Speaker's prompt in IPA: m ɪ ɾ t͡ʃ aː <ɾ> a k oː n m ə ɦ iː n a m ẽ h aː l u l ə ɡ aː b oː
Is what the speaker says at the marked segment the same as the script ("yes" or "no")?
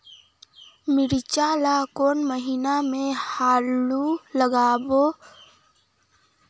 no